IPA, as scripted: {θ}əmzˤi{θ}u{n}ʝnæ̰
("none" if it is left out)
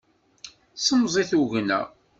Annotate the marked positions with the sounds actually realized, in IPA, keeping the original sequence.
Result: s, θ, none

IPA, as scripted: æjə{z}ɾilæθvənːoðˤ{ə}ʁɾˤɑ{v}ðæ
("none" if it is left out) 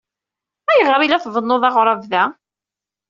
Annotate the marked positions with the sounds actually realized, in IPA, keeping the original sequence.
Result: ʁ, ɑ, v

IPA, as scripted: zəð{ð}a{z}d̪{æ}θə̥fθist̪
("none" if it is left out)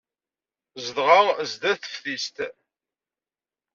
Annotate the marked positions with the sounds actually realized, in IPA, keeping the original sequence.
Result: ʁ, z, æ

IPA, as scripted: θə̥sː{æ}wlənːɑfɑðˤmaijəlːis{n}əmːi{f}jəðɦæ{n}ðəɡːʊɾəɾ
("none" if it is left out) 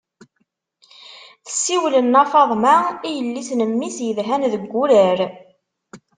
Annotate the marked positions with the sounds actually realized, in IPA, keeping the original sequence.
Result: i, n, s, n

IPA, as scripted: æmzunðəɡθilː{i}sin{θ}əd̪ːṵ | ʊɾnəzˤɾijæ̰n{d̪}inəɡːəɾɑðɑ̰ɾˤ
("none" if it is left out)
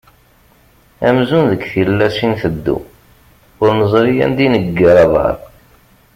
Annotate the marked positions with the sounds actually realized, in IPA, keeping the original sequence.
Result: æ, θ, d̪

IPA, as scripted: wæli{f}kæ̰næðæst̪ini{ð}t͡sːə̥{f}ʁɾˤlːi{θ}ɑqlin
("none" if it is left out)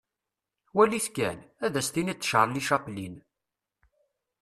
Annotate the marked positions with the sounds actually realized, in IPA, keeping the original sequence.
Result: θ, none, ʃ, ʃ

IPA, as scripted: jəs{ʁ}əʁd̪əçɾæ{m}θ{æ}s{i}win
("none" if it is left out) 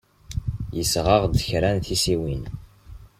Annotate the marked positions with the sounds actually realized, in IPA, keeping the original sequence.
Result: ʁ, n, i, i

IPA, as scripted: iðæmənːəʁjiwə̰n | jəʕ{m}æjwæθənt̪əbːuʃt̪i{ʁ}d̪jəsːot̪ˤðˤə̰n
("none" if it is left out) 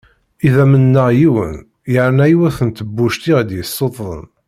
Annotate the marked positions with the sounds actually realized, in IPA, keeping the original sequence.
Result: n, ʁ

